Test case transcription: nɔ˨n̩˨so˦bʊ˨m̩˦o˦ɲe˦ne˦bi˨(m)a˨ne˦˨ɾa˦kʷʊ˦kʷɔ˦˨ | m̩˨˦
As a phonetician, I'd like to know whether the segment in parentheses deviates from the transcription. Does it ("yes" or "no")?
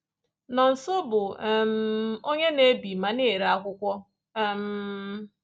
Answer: no